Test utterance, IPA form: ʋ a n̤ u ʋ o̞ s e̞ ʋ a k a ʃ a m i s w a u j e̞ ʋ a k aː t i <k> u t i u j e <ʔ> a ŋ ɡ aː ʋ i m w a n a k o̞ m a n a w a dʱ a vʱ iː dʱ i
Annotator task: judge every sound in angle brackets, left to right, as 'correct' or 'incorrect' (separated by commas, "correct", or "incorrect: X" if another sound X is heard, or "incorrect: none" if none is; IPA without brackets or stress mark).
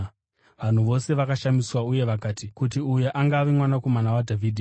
correct, correct